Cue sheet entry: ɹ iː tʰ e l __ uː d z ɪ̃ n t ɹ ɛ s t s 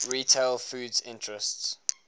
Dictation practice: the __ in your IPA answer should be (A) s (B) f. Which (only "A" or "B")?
B